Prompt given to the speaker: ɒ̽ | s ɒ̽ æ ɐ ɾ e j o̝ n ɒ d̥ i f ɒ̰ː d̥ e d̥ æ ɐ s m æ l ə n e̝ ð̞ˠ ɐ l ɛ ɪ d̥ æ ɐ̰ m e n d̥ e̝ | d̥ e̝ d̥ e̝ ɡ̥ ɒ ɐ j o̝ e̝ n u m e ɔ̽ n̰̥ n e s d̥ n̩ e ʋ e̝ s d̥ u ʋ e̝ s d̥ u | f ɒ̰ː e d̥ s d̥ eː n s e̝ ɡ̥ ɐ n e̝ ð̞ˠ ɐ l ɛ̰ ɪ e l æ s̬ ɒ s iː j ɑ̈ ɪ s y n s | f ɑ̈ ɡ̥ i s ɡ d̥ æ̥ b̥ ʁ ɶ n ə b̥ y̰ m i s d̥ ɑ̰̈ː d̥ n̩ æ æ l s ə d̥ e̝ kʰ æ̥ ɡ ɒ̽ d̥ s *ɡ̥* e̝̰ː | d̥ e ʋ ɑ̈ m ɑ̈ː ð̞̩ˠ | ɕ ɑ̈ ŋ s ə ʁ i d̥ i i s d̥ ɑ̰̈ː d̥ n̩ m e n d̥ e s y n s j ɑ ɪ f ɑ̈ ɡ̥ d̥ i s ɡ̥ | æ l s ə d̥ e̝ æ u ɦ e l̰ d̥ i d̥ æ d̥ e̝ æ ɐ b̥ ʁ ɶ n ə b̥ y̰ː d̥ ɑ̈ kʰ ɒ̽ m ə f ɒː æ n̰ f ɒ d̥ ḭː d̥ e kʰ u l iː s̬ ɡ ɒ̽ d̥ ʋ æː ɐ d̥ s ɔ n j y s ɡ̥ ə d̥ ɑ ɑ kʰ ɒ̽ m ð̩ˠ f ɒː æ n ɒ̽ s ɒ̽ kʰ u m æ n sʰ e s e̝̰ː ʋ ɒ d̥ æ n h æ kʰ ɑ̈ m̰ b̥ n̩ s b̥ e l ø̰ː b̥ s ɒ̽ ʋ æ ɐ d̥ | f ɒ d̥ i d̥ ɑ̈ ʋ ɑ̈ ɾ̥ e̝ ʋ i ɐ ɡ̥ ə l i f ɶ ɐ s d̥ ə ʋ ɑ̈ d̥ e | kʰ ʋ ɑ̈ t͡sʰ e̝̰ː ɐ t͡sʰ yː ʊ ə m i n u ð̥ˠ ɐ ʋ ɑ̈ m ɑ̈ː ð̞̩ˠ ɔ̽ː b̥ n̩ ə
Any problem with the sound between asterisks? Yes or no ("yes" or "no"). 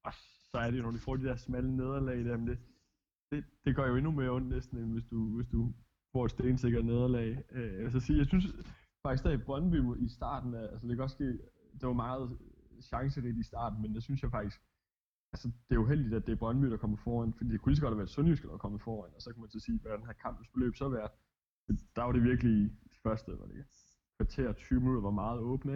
no